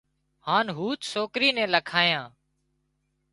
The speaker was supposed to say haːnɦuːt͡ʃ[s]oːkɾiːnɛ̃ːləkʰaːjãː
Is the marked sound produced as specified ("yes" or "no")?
yes